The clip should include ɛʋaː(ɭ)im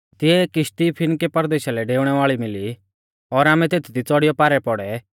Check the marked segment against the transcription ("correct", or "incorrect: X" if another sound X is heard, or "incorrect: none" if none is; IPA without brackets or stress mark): correct